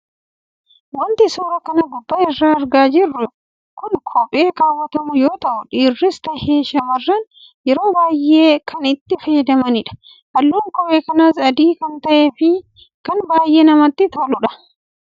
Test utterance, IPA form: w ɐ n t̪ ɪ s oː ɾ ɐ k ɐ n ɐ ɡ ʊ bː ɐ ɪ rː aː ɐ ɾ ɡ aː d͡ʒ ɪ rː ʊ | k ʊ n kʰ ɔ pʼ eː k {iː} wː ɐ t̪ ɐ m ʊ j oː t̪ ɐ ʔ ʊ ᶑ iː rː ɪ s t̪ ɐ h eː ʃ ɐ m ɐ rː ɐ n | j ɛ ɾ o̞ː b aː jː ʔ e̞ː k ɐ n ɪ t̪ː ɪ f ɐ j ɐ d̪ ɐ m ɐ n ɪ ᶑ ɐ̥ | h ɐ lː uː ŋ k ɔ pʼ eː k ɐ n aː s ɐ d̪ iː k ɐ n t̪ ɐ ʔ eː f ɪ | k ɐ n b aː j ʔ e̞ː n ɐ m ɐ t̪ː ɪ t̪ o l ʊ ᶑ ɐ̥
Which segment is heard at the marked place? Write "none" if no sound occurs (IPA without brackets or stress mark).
aː